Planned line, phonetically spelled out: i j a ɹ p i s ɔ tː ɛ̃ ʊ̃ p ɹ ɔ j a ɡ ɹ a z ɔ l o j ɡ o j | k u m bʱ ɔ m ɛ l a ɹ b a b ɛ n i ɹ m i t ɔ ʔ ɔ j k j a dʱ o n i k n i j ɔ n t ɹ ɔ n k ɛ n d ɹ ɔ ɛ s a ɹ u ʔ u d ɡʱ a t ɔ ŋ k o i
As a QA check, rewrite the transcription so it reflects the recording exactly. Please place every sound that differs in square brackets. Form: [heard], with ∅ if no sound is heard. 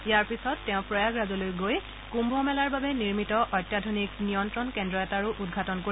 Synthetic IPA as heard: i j a ɹ p i s ɔ tː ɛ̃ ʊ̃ p ɹ ɔ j a ɡ ɹ a z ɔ l o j ɡ o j | k u m bʱ ɔ m ɛ l a ɹ b a b ɛ n i ɹ m i t ɔ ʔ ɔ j [t] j a dʱ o n i k n i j ɔ n t ɹ ɔ n k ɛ n d ɹ ɔ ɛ [t] a ɹ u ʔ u d ɡʱ a t ɔ [n] k o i